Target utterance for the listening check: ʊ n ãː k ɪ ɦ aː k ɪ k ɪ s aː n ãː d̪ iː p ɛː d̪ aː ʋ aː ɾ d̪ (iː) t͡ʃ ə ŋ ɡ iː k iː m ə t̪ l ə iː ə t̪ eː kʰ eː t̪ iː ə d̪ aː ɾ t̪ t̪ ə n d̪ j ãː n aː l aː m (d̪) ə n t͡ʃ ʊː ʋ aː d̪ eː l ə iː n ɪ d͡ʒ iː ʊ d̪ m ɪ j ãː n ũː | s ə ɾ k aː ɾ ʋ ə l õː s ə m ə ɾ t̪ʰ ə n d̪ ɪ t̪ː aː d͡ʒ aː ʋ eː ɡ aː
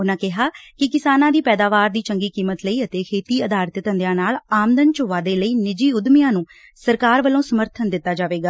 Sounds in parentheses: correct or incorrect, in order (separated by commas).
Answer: correct, correct